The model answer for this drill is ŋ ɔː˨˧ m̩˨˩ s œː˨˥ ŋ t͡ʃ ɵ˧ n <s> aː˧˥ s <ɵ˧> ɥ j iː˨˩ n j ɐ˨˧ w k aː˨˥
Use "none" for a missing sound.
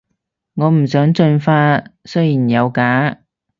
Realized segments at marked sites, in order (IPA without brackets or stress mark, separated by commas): f, ɵ˥